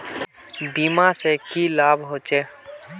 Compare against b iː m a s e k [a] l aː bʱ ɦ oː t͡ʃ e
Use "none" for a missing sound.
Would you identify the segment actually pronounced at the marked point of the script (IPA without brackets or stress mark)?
i